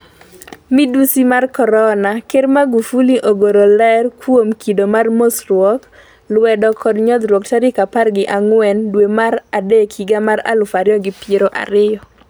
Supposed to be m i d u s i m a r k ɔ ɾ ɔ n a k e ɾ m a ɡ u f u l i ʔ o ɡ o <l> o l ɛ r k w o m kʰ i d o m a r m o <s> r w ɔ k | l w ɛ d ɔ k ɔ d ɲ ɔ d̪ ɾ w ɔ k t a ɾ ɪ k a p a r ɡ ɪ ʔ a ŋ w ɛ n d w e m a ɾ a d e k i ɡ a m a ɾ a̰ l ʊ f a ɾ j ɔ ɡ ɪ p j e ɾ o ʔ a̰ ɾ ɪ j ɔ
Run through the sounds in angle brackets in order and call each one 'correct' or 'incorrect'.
incorrect: ɾ, correct

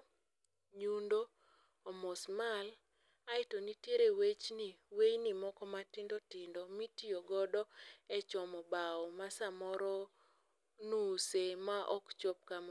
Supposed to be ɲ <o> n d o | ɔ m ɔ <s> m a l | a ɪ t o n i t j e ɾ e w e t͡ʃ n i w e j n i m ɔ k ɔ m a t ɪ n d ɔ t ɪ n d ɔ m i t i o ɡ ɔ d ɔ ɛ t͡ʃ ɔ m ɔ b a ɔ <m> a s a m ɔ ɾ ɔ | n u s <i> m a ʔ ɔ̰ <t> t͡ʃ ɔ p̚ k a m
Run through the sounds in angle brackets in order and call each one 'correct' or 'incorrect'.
incorrect: u, correct, correct, incorrect: e, incorrect: k

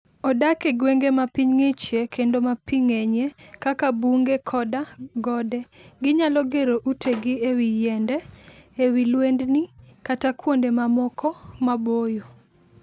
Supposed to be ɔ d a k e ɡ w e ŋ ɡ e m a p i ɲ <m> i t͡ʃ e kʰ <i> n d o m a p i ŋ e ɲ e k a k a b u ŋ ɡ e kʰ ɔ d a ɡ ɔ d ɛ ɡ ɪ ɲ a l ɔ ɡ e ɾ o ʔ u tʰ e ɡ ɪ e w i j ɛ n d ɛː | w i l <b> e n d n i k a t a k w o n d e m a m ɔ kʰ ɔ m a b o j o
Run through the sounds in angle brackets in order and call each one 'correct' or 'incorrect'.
incorrect: ŋ, incorrect: e, incorrect: w

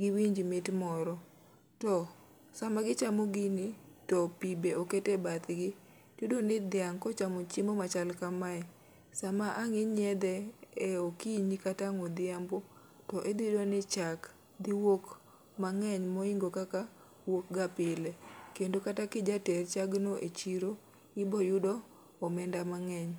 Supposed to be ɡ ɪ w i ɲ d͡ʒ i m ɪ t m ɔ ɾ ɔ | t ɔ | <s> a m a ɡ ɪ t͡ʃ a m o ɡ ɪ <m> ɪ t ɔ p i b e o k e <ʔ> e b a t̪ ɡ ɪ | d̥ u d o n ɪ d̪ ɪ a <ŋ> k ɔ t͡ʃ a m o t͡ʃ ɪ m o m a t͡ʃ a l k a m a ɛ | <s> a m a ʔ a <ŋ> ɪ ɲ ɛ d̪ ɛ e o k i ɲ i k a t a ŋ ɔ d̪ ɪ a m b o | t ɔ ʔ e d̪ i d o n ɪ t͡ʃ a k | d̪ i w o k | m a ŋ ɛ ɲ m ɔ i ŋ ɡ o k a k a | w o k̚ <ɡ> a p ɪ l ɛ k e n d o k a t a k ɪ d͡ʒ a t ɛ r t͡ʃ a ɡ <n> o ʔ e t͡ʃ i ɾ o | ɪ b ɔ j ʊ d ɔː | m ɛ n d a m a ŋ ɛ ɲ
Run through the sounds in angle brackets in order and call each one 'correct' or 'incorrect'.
correct, incorrect: n, incorrect: t, correct, correct, correct, correct, correct

